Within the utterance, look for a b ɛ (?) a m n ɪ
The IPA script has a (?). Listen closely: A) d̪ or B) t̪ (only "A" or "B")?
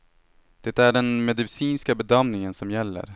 A